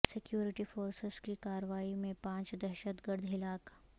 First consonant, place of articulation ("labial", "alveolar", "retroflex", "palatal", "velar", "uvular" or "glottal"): alveolar